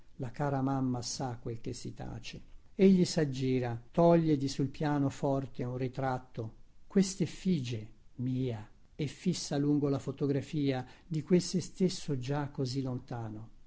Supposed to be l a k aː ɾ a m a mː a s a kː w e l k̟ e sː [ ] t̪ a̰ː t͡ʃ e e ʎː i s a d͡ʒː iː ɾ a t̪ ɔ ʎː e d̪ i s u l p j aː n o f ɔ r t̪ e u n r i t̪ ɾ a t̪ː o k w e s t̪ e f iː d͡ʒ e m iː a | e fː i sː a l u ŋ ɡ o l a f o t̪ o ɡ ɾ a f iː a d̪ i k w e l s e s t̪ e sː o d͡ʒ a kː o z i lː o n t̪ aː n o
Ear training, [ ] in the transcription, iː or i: i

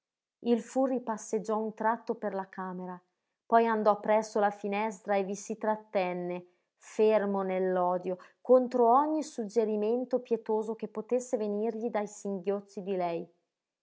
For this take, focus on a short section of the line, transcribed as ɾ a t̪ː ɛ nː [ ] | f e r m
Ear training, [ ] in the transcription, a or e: e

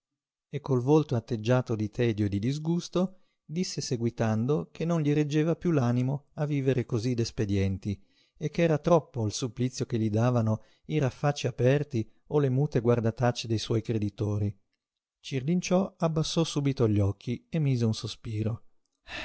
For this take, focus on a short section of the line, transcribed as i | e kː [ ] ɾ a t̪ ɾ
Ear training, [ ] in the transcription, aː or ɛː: ɛː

